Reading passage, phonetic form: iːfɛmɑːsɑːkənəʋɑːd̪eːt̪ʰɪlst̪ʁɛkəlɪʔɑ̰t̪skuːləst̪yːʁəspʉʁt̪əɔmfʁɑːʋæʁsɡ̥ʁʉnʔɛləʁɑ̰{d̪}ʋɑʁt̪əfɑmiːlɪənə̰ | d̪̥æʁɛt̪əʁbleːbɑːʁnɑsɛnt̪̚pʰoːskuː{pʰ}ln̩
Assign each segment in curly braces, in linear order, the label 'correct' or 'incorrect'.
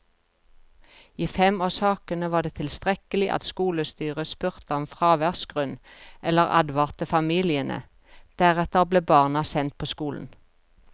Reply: correct, incorrect

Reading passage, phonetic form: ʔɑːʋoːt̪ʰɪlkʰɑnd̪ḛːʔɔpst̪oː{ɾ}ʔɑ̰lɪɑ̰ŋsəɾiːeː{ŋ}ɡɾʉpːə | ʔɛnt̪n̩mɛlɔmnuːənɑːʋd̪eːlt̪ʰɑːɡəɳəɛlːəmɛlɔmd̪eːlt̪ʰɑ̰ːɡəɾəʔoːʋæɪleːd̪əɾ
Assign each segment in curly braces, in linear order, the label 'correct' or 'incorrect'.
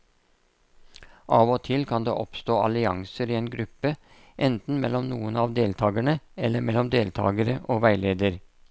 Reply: incorrect, incorrect

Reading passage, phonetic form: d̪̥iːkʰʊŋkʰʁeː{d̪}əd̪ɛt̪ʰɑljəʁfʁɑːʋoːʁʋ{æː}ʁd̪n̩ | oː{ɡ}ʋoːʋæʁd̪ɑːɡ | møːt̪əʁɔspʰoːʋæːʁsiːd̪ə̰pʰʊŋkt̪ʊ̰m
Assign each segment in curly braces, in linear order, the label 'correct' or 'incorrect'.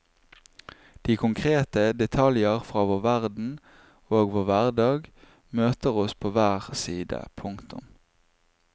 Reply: incorrect, incorrect, correct

